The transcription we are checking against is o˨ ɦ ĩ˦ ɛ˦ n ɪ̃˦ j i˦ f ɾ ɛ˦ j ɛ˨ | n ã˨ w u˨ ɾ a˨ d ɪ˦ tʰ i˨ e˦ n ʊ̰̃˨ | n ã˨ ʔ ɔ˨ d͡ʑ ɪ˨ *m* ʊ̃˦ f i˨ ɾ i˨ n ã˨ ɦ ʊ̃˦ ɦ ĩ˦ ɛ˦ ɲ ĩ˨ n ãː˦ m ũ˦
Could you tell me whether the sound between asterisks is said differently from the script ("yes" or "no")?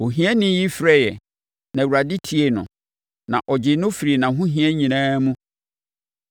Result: yes